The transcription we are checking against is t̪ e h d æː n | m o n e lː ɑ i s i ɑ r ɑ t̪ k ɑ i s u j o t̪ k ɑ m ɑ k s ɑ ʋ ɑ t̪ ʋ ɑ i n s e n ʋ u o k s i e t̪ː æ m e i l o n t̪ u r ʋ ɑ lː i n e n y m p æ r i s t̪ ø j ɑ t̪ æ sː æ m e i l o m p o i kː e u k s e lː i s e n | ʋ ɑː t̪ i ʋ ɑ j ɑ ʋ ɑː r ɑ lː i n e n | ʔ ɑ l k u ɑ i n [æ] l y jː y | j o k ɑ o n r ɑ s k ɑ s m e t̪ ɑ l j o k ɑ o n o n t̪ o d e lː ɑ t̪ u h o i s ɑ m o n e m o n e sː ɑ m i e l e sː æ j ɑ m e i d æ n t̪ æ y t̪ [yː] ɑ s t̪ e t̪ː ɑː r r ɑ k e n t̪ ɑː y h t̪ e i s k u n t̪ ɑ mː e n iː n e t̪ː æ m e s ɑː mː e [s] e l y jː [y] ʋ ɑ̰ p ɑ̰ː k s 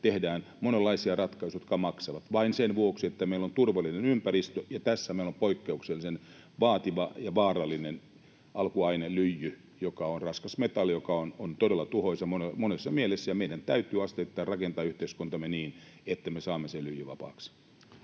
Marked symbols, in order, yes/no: no, yes, yes, yes

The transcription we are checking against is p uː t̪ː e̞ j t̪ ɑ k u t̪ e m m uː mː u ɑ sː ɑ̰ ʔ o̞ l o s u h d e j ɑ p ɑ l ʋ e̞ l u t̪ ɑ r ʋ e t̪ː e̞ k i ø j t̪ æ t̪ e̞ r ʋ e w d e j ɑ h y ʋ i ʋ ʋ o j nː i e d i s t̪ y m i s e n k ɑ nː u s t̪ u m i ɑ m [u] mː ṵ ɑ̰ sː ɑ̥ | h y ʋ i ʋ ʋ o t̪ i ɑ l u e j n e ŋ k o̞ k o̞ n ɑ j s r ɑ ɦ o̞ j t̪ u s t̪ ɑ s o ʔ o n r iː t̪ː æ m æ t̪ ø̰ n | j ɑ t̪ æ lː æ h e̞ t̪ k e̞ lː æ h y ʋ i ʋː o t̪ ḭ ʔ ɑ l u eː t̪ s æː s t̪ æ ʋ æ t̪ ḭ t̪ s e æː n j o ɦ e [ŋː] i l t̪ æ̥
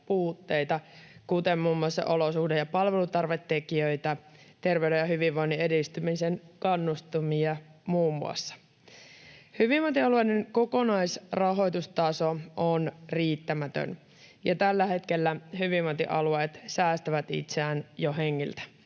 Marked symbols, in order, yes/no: no, yes

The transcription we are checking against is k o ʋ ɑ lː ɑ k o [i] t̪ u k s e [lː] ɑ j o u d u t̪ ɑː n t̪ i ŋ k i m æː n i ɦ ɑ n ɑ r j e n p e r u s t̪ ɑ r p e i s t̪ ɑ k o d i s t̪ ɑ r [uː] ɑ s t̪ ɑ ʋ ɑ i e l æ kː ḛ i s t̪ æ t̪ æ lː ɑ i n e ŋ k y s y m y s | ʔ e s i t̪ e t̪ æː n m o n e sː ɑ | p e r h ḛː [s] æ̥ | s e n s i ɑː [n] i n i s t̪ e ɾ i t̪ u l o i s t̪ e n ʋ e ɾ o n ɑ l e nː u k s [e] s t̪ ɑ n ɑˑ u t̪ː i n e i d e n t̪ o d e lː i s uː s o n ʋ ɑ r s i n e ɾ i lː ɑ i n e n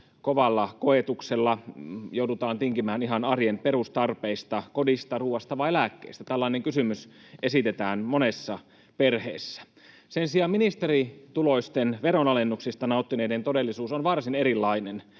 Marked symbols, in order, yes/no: no, yes, yes, no, no, no

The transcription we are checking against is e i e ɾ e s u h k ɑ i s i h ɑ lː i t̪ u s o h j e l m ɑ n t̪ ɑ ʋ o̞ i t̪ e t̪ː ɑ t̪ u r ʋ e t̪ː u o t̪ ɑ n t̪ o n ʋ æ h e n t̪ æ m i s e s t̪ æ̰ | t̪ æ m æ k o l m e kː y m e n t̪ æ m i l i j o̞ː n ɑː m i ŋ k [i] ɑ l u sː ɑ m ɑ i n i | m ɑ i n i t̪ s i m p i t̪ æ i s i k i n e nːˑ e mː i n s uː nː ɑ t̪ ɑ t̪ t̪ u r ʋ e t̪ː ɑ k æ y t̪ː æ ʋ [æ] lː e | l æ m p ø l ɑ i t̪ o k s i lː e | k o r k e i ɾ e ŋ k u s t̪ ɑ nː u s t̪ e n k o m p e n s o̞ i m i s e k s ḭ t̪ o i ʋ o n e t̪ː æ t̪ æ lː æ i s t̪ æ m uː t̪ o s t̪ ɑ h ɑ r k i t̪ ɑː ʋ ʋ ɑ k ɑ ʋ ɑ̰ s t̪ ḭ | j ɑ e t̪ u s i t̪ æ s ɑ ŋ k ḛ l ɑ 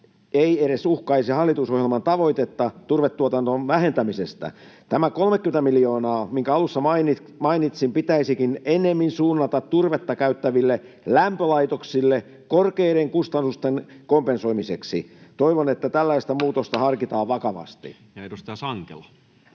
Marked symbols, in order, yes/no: no, no

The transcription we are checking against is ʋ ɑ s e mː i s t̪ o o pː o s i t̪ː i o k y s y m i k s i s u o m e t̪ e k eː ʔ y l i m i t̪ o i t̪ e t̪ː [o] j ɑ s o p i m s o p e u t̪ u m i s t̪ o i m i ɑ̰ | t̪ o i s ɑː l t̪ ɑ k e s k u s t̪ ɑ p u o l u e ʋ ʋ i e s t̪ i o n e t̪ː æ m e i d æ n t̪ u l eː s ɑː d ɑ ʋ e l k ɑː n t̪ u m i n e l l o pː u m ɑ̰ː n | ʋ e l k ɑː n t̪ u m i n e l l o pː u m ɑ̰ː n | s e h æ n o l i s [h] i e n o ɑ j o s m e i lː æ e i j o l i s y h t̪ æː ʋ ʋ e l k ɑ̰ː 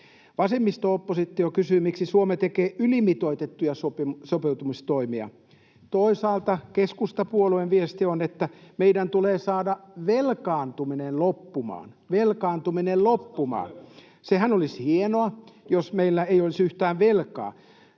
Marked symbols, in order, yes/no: no, yes

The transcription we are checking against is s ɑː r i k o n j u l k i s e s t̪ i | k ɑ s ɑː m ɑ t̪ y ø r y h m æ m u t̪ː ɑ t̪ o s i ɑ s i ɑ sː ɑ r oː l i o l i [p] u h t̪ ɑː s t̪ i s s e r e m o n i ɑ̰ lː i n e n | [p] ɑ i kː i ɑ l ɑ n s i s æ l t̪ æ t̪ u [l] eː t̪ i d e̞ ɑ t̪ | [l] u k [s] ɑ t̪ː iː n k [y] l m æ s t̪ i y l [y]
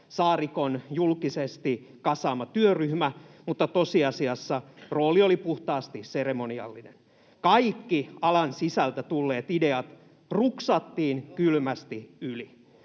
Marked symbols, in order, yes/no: yes, no, no, no, yes, yes, no

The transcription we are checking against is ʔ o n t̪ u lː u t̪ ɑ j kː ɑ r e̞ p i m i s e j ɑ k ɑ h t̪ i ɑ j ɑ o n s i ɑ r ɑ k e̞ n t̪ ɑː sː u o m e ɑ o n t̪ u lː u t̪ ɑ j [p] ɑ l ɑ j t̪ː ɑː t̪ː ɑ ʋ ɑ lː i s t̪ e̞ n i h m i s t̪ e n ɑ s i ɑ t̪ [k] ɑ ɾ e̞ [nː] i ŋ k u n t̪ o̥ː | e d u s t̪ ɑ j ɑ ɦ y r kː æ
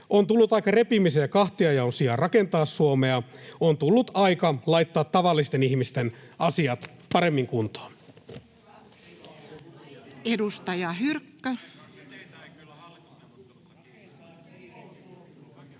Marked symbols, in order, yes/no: no, no, no

